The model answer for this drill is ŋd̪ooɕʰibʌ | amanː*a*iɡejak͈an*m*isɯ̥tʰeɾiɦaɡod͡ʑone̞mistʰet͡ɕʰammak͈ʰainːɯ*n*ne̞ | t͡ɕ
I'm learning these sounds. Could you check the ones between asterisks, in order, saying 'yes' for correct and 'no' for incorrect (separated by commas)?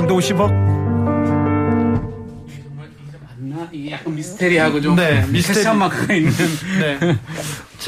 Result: yes, yes, yes